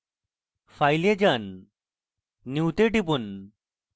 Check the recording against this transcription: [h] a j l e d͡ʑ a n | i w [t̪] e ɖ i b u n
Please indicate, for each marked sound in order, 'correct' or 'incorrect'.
incorrect: f, correct

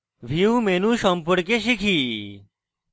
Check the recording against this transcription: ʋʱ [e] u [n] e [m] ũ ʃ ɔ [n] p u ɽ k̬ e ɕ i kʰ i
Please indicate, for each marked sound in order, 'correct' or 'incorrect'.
incorrect: i, incorrect: m, incorrect: n, incorrect: m

